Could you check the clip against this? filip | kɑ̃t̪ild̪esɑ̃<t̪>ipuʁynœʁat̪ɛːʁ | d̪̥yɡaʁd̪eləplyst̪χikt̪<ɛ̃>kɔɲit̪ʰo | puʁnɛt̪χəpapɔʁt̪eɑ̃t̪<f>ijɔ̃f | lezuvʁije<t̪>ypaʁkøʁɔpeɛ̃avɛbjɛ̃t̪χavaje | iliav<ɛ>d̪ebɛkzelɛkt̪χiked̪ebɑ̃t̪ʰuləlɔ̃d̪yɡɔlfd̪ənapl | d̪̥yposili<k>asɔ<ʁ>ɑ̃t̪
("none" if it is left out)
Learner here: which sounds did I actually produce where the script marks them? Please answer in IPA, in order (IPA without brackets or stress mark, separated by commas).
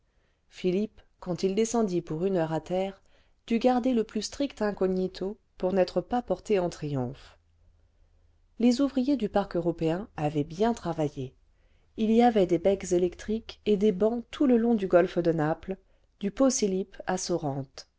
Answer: d̪, ɛ̃, χ, d̪, ɛ, p, ʁ